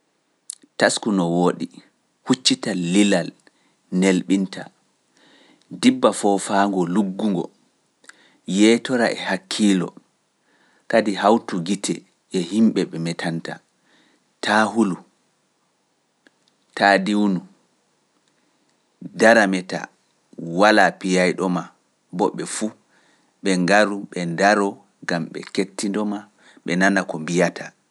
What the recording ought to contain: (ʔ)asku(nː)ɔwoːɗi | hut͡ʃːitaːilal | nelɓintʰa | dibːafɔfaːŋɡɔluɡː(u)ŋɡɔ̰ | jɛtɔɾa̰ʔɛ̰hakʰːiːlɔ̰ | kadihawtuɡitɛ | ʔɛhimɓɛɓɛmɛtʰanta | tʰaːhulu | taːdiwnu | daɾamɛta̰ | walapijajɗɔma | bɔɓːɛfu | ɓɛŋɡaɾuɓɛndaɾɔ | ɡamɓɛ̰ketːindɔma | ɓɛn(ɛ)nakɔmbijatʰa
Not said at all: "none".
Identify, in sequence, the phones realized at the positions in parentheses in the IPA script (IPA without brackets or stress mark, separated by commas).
t, n, u, a